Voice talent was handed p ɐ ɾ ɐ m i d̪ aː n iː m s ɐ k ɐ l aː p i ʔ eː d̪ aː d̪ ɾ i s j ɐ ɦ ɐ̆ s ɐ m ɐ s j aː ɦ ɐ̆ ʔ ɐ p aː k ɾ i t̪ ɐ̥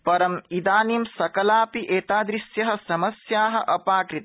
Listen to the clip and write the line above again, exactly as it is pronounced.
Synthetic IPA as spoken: p ɐ ɾ ɐ m i d̪ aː n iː m s ɐ k ɐ l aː p i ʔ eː t̪ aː d̪ ɾ i s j ɐ ɦ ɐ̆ s ɐ m ɐ s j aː ɦ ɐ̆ ʔ ɐ p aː k ɾ i t̪ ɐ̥